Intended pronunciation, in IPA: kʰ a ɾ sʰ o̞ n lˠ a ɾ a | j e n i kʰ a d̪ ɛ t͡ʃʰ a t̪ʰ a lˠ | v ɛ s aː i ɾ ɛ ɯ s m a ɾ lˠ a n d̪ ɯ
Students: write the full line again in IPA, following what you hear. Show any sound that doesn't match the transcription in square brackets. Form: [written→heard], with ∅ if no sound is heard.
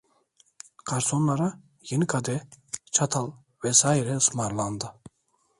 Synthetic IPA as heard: kʰ a ɾ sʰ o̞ n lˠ a ɾ a | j e n i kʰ a d̪ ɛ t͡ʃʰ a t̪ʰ a lˠ | v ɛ s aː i ɾ ɛ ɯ s m a ɾ lˠ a n d̪ ɯ